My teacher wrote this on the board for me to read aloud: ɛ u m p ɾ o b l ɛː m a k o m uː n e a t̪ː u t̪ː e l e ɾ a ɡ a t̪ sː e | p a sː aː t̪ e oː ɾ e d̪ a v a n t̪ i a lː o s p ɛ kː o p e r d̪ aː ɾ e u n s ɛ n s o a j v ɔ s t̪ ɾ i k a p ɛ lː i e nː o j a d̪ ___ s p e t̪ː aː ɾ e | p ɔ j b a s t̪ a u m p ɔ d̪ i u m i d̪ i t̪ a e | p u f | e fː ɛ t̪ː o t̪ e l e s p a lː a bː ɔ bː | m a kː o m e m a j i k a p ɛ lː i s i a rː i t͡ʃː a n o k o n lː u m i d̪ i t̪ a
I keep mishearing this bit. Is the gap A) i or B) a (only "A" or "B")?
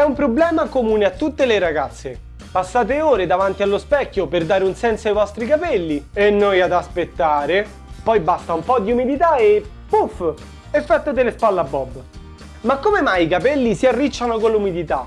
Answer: B